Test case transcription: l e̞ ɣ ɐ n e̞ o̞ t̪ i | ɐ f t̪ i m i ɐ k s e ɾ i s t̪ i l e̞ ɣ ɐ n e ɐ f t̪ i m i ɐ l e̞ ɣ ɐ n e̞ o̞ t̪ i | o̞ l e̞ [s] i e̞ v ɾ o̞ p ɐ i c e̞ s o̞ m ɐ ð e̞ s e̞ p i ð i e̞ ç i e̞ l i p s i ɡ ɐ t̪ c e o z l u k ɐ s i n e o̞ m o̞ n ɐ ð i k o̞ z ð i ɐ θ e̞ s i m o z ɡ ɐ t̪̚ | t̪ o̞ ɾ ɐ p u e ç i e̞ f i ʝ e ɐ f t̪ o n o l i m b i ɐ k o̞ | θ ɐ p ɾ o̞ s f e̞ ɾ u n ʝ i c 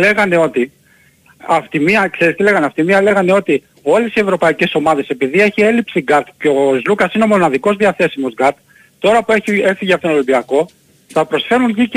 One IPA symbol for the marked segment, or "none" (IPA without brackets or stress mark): s